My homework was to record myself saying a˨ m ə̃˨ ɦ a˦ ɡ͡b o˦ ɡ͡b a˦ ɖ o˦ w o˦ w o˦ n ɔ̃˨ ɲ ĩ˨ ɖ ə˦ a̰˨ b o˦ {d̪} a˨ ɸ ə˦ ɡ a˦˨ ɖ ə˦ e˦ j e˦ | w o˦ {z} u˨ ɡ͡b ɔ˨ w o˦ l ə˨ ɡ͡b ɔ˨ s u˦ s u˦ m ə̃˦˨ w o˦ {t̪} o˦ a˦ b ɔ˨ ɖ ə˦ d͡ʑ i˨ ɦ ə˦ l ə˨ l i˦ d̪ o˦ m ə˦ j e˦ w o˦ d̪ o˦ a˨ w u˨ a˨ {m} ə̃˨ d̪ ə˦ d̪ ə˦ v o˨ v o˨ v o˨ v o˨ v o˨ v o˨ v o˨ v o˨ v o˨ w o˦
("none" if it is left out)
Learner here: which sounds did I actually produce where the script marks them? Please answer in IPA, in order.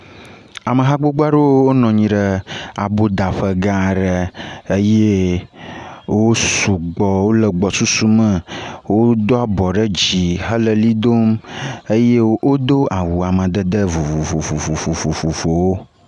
d̪, s, d̪, m

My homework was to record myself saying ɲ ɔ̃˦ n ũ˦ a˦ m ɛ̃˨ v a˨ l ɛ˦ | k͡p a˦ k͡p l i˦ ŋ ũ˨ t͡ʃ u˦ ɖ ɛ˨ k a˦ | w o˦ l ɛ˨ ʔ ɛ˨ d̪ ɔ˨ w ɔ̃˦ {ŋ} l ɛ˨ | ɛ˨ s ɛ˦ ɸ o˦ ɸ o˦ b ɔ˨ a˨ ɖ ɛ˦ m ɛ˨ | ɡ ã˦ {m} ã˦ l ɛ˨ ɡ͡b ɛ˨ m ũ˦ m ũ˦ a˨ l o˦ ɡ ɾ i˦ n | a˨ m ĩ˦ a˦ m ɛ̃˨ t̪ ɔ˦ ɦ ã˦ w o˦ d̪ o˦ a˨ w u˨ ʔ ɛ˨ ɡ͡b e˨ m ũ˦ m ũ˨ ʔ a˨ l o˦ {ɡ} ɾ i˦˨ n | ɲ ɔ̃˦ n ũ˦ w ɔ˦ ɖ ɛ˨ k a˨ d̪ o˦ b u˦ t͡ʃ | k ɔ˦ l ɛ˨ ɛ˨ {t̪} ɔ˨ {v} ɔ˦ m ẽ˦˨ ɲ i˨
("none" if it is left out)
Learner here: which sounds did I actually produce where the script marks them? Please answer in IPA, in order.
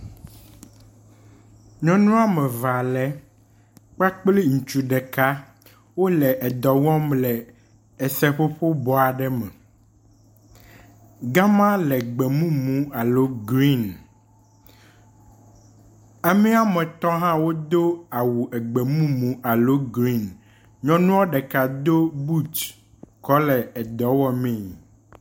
m, m, ɡ, d̪, w

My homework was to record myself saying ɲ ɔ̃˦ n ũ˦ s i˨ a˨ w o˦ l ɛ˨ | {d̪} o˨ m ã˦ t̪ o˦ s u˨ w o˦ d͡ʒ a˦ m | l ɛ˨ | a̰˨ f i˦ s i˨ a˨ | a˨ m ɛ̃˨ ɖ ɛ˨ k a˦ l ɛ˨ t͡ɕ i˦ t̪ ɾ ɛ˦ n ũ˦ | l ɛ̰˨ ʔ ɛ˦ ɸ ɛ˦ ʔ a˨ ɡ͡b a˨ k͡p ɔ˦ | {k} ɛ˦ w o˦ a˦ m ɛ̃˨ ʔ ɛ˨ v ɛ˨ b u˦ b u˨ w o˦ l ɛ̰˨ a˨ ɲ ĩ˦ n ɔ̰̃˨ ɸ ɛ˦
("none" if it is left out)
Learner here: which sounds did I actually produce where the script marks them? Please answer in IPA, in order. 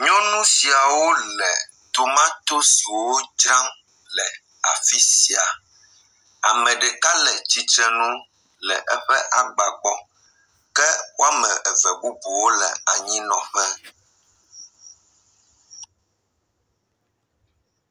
t̪, k

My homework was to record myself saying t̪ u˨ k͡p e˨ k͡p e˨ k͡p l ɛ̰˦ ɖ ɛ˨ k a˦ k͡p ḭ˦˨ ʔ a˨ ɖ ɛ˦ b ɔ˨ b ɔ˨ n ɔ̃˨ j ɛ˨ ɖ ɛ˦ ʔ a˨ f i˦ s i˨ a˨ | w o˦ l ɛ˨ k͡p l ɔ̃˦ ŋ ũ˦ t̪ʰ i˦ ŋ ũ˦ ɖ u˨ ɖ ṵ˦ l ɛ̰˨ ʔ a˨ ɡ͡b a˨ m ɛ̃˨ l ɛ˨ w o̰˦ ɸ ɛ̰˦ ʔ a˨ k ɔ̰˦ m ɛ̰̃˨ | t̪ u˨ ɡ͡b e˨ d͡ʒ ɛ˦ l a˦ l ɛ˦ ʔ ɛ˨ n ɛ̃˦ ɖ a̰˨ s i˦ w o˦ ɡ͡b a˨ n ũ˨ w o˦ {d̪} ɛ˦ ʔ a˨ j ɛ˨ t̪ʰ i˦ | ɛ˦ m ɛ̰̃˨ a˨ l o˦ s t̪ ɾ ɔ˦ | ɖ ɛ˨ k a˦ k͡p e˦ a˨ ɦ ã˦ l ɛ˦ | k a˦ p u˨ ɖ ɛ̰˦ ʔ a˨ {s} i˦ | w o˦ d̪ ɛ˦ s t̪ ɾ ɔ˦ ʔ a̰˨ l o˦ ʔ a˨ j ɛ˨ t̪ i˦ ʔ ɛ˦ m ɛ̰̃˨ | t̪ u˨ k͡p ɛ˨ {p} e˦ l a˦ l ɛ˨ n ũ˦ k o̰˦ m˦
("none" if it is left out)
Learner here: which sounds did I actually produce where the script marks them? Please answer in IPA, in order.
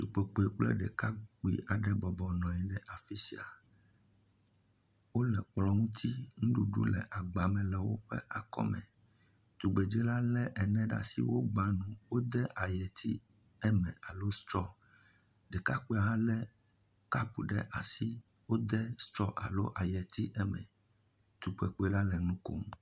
d̪, s, k͡p

